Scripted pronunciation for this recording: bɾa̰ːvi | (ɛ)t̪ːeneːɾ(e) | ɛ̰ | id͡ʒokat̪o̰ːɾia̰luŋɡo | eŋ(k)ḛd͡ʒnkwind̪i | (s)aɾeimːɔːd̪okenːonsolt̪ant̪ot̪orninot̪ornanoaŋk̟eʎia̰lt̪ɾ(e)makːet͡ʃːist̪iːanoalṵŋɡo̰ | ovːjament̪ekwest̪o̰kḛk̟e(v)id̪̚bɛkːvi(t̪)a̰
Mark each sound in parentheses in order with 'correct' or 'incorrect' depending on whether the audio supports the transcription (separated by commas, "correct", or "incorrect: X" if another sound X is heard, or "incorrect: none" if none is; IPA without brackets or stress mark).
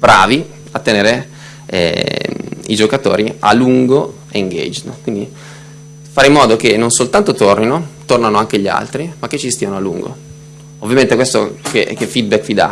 incorrect: a, correct, incorrect: ɡ, incorrect: f, incorrect: i, incorrect: f, incorrect: d̪